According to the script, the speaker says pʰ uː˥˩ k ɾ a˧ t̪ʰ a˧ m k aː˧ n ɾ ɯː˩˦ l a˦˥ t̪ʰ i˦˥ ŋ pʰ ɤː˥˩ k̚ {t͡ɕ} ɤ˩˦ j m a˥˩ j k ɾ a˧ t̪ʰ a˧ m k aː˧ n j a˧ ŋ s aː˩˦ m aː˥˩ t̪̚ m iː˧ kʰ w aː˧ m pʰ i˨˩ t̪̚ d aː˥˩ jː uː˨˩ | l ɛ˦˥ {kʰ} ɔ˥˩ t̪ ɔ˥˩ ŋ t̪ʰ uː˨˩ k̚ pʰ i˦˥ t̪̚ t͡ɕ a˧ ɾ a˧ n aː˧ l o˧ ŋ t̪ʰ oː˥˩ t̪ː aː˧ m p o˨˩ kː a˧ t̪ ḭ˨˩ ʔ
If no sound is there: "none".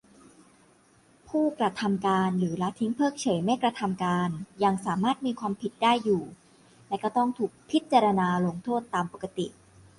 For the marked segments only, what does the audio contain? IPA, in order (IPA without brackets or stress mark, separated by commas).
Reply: t͡ɕʰ, k